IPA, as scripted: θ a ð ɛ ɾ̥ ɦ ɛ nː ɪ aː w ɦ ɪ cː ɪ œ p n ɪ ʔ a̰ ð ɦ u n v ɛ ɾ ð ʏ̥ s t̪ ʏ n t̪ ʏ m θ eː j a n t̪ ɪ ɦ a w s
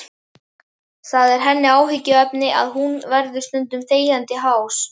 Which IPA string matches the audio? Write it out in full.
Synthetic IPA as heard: θ a ð ɛ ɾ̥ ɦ ɛ nː ɪ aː w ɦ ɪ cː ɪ œ p n ɪ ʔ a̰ ð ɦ u n v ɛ ɾ ð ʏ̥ s t̪ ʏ n t̪ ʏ m θ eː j a n t̪ ɪ ɦ a w s